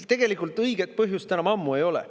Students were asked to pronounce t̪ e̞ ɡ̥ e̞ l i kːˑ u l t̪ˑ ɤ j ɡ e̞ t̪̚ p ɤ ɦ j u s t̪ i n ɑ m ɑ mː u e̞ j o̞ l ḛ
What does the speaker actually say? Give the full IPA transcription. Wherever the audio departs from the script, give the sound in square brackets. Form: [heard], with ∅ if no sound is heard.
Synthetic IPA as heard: t̪ e̞ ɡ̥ e̞ l i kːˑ u l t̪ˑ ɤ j ɡ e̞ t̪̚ p ɤ ɦ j u s t̪ [æ] n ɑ m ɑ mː u e̞ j o̞ l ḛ